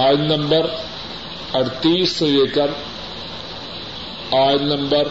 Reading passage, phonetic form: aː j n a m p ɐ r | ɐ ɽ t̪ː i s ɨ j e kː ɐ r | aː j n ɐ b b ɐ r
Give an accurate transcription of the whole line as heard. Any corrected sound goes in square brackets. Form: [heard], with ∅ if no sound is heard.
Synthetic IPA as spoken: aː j n [ɐ] m [b] ɐ r | ɐ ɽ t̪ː i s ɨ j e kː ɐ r | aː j n ɐ [m] b ɐ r